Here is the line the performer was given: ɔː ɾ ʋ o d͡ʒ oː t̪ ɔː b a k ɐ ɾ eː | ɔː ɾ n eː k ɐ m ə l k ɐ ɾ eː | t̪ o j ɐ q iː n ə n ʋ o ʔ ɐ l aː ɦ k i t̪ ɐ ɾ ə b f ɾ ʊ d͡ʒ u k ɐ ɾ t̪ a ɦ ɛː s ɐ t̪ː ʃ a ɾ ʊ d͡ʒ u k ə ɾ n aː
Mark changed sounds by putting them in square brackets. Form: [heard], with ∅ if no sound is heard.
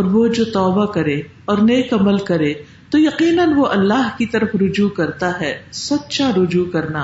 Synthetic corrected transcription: ɔː ɾ ʋ o d͡ʒ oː t̪ ɔː b a k ɐ ɾ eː | ɔː ɾ n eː k ɐ m ə l k ɐ ɾ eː | t̪ o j ɐ q iː n ə n ʋ o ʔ ɐ [lː] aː ɦ k i t̪ ɐ ɾ ə [∅] f ɾ ʊ d͡ʒ u k ɐ ɾ t̪ a ɦ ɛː s ɐ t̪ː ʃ a ɾ ʊ d͡ʒ u k [ɐ] ɾ n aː